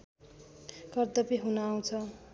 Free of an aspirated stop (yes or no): no